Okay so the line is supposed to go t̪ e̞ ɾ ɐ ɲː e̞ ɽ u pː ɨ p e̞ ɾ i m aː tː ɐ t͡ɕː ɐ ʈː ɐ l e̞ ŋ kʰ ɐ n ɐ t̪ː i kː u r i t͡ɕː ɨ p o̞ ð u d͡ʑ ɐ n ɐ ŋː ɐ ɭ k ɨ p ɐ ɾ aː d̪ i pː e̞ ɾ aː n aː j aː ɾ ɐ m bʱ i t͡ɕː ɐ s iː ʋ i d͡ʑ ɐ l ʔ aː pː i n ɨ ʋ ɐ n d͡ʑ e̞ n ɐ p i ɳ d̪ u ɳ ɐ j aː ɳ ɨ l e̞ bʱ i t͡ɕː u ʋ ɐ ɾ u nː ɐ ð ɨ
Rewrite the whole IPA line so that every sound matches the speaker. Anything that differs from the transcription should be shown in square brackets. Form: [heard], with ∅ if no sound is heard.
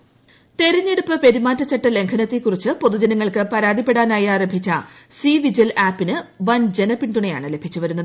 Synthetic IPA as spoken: t̪ e̞ ɾ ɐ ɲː e̞ ɽ u pː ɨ p e̞ ɾ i m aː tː ɐ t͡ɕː ɐ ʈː ɐ l e̞ ŋ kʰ ɐ n ɐ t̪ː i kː u r i t͡ɕː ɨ p o̞ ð u d͡ʑ ɐ n ɐ ŋː ɐ ɭ k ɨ p ɐ ɾ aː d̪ i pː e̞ [ɽ] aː n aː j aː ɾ ɐ m bʱ i t͡ɕː ɐ s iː ʋ i d͡ʑ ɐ l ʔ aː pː i n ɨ ʋ ɐ n d͡ʑ e̞ n ɐ p i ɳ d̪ u ɳ ɐ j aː ɳ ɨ l e̞ bʱ i t͡ɕː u ʋ ɐ ɾ u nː ɐ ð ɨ